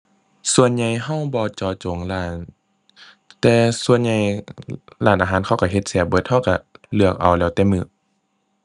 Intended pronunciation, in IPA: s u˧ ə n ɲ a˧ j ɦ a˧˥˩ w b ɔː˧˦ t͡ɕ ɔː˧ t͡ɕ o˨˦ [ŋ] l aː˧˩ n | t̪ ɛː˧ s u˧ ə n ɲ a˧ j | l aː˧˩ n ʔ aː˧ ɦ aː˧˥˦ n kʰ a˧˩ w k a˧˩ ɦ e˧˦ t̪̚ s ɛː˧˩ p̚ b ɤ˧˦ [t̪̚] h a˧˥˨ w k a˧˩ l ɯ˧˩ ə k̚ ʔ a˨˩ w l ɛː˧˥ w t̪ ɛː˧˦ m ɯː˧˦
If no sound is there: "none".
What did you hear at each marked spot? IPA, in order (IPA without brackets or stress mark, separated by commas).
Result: ŋ, t̪̚